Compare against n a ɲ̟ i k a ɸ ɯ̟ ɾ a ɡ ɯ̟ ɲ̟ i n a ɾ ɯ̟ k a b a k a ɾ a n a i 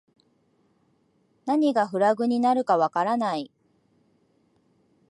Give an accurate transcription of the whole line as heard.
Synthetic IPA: n a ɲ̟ i ɡ a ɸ ɯ̟ ɾ a ɡ ɯ̟ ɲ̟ i n a ɾ ɯ̟ k a β a k a ɾ a n a i